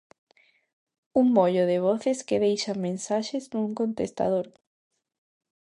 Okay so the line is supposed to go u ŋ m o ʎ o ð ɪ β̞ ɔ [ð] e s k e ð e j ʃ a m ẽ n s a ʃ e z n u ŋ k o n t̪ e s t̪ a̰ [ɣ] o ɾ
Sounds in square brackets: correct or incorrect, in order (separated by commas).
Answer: incorrect, incorrect